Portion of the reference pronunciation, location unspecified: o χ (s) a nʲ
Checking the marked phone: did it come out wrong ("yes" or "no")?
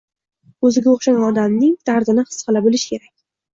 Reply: yes